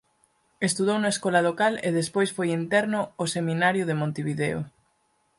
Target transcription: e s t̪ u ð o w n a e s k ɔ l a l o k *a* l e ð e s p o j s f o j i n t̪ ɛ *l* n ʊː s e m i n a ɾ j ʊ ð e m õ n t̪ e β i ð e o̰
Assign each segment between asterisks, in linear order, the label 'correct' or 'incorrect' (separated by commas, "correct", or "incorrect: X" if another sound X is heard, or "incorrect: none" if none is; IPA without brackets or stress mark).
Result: correct, incorrect: ɾ